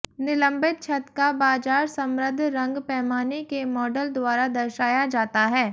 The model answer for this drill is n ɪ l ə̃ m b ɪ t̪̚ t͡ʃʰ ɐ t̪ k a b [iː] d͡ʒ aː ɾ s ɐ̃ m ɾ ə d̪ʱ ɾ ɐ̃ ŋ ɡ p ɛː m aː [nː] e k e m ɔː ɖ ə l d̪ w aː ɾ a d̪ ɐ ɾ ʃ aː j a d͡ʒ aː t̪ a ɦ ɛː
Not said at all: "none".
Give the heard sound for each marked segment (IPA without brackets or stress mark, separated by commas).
aː, n